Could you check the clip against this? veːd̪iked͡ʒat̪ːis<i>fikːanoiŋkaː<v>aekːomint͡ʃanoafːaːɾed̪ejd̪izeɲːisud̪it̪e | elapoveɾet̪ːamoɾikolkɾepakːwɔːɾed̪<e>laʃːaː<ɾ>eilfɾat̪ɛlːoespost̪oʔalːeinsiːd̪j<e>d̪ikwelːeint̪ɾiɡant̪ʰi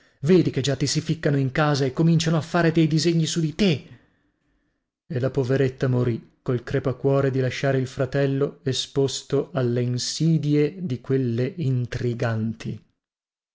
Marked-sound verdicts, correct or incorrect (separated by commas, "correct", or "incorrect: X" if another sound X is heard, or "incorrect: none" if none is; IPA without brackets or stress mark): correct, incorrect: z, incorrect: i, correct, correct